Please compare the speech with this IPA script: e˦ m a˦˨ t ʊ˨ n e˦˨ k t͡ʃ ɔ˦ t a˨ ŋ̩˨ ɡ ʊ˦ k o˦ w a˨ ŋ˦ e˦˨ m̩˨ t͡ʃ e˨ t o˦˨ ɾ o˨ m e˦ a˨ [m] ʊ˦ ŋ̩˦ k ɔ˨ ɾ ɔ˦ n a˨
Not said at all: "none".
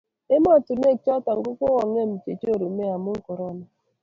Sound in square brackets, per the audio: m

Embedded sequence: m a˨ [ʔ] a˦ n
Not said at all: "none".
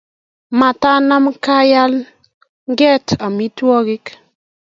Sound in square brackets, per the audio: t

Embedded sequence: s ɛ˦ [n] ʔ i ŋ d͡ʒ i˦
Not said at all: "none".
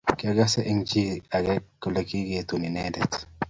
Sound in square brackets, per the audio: none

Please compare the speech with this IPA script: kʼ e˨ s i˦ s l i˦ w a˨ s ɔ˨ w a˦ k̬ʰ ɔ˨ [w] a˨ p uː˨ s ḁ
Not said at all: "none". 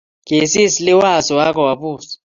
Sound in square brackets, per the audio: w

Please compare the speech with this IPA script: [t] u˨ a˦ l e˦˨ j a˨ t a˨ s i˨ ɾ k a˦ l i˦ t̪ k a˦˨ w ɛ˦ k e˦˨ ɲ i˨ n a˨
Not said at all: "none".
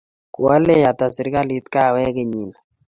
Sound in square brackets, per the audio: k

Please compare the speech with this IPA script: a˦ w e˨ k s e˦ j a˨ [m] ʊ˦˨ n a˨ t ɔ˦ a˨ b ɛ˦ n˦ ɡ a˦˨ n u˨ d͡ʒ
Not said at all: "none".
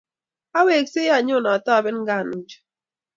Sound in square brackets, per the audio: ɲ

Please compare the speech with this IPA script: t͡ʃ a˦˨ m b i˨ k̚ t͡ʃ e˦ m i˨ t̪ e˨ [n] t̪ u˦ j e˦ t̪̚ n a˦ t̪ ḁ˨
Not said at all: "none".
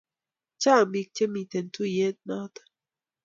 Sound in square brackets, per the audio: n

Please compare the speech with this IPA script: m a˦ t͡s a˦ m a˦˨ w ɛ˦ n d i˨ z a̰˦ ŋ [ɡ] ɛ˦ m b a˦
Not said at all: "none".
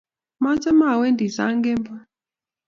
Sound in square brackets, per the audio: ɡ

